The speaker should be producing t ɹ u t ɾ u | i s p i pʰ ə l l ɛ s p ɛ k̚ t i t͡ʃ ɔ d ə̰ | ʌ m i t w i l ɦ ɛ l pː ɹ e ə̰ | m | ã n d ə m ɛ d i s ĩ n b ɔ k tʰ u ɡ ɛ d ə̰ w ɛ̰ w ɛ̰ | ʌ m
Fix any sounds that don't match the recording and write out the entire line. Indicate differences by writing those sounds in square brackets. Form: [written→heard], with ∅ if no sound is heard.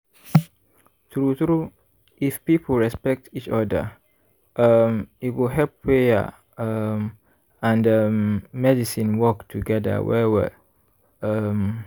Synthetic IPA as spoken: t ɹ u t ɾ u | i [s→f] p i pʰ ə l [l→ɹ] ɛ s p ɛ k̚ t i t͡ʃ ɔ d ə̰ | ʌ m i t w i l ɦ ɛ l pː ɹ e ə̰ | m | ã n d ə m ɛ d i s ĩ n [b→w] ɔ k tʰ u ɡ ɛ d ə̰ w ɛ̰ w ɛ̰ | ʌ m